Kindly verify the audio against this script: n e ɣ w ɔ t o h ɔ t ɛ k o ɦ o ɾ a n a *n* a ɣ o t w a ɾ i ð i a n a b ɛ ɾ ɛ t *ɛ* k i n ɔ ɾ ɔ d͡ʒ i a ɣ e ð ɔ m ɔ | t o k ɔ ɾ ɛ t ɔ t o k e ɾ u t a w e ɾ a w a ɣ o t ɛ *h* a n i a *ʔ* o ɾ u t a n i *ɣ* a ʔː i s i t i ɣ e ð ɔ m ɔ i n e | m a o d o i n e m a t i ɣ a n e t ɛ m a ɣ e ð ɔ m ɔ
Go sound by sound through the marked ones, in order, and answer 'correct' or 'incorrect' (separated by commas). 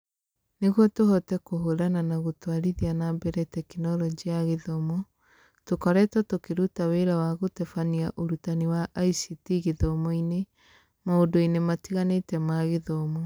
correct, correct, incorrect, correct, incorrect